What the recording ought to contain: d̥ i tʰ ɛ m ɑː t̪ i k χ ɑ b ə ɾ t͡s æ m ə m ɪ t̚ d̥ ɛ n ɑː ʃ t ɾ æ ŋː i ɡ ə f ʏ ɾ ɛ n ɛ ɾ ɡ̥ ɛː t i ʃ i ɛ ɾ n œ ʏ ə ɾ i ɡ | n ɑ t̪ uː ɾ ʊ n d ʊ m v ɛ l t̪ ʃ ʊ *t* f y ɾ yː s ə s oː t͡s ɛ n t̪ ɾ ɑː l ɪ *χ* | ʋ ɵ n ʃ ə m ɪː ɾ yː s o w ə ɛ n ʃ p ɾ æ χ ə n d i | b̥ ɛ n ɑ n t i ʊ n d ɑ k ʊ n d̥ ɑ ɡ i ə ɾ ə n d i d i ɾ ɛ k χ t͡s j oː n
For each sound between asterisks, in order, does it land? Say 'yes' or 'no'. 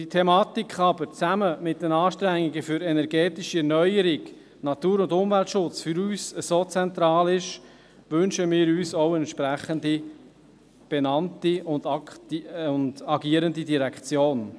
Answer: no, no

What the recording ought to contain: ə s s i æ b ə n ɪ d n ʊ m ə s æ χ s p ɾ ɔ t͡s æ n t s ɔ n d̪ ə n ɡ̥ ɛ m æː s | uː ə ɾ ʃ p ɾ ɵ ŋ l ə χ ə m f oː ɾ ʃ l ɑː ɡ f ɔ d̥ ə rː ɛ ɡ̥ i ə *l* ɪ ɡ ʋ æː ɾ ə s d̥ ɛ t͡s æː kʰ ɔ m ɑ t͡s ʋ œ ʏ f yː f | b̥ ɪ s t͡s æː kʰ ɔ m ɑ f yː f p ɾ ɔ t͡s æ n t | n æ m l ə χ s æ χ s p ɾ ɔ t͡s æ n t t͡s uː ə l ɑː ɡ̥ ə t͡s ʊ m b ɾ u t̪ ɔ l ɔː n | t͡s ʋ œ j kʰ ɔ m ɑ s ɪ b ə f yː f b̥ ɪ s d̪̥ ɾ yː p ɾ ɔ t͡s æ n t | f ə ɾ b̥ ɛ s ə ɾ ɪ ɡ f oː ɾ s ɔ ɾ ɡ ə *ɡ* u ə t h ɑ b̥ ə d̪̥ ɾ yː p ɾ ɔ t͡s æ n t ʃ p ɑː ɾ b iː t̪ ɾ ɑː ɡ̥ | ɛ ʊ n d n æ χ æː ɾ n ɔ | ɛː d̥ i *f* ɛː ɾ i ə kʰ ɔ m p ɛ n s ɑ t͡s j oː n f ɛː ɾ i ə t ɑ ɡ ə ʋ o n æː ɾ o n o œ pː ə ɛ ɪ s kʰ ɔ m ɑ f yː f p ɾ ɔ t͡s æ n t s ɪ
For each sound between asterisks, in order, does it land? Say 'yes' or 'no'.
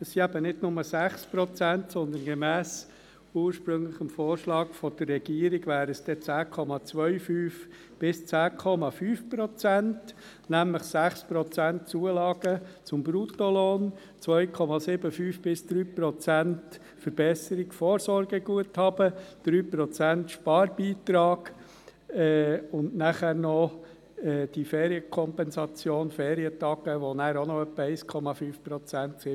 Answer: no, yes, yes

